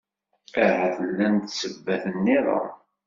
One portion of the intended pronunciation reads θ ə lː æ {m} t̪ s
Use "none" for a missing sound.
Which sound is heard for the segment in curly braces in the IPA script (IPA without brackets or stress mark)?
n